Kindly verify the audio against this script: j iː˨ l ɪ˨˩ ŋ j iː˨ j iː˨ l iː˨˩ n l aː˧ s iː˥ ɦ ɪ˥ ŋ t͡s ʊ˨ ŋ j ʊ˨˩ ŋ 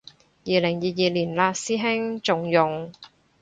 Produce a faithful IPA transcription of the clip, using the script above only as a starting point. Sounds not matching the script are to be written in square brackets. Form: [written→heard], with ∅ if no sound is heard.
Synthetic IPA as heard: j iː˨ l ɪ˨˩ ŋ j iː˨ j iː˨ l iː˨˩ n l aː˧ s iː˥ ɦ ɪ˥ ŋ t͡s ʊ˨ ŋ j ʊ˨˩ ŋ

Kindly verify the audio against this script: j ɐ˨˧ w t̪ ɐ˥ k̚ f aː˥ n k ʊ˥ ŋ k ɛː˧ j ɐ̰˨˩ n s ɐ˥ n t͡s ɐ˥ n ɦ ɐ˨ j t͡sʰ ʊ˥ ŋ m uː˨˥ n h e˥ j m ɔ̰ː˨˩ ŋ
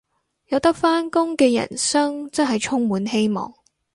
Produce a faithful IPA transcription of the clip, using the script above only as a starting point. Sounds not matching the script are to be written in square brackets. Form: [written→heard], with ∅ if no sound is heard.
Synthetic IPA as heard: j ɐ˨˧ w t̪ ɐ˥ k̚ f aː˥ n k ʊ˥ ŋ k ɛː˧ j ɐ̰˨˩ n s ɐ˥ [n→ŋ] t͡s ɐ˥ n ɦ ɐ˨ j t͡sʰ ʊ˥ ŋ m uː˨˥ n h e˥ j m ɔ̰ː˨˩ ŋ

